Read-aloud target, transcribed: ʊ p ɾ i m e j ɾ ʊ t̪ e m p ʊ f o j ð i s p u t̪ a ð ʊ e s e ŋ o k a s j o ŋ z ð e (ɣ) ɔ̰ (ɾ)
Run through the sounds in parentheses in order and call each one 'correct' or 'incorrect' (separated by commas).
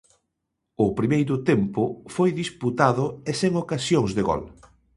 correct, incorrect